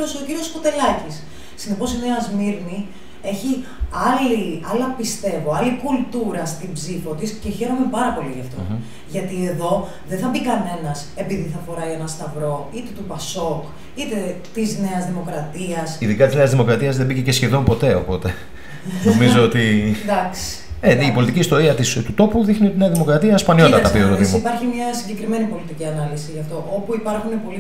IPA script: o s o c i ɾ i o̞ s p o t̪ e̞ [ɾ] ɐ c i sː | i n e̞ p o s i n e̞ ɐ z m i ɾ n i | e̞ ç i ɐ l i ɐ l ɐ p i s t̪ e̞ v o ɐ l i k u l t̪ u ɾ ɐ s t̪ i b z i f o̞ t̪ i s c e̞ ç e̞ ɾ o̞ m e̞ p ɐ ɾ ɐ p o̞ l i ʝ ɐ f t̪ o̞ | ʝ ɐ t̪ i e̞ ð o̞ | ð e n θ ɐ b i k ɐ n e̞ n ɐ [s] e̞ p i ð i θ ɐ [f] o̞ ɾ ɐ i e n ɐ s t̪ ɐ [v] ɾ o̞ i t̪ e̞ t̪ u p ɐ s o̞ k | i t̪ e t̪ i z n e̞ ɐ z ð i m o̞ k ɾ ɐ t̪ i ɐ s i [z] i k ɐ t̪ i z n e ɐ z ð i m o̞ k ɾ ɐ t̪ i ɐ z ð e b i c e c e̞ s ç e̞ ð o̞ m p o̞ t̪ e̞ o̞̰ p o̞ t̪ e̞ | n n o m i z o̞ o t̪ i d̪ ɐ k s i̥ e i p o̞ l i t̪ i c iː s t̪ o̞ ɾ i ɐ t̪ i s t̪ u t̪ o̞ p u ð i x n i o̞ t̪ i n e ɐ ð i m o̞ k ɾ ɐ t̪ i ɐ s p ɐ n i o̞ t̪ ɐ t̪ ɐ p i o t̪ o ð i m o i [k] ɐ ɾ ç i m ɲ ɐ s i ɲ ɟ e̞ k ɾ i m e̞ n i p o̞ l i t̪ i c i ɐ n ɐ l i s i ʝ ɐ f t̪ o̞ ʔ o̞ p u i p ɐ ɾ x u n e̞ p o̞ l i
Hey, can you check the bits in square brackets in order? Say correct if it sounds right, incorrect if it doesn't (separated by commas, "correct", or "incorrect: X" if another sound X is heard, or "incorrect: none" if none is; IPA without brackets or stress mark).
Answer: incorrect: l, correct, correct, correct, incorrect: ð, incorrect: p